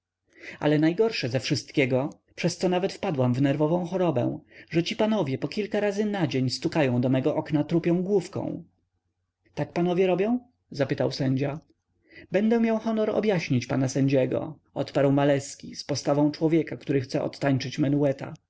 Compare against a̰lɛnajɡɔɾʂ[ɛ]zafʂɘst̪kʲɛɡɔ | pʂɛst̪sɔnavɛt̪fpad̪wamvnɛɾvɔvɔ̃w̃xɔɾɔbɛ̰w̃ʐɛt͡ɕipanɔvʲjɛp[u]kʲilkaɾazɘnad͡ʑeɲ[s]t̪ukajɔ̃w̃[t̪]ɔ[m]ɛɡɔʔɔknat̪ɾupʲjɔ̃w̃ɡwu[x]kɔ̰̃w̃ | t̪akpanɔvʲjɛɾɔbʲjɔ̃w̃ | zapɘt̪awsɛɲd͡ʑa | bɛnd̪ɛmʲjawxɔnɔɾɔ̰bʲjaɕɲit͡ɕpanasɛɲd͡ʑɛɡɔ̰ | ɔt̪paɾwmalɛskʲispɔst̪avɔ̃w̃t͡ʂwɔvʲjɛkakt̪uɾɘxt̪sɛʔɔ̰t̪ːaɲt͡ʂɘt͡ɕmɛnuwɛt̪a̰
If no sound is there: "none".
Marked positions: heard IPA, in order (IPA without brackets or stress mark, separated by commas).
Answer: ɛ, ɔ, s, d̪, m, f